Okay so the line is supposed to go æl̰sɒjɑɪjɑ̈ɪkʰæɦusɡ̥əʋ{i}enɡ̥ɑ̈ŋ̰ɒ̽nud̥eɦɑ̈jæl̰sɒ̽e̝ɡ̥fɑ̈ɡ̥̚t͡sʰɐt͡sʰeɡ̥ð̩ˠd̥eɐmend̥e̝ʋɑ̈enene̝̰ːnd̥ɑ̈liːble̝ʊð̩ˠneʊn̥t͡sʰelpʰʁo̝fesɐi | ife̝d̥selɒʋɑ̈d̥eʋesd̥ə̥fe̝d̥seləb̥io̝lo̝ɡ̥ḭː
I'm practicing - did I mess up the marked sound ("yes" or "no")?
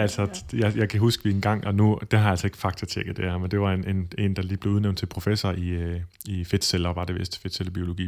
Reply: no